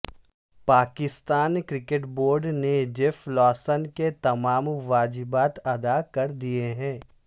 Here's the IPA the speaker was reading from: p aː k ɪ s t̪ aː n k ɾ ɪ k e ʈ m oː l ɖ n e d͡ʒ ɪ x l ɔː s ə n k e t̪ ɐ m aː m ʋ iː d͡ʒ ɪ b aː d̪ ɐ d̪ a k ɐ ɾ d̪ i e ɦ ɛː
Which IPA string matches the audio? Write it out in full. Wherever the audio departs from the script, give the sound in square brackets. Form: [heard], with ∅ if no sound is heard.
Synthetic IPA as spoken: p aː k ɪ s t̪ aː n k ɾ ɪ k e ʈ [b] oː [ɾ] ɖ n e d͡ʒ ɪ [f] l ɔː s ə n k e t̪ ɐ m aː m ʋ [aː] d͡ʒ ɪ b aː [t̪] ɐ d̪ a k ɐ ɾ d̪ i e ɦ [ɛ̃ː]